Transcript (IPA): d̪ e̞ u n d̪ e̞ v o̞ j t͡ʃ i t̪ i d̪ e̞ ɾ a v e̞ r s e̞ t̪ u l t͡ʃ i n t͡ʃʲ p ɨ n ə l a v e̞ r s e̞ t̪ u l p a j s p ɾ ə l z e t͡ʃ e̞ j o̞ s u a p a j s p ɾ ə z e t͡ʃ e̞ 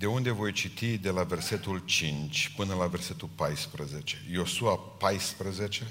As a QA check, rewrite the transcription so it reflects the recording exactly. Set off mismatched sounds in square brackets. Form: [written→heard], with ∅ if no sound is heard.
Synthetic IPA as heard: d̪ e̞ u n d̪ e̞ v o̞ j t͡ʃ i t̪ i d̪ e̞ [ɾ→l] a v e̞ r s e̞ t̪ u l t͡ʃ i n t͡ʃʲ p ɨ n ə l a v e̞ r s e̞ t̪ u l p a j s p ɾ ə [l→∅] z e t͡ʃ e̞ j o̞ s u a p a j s p ɾ ə z e t͡ʃ e̞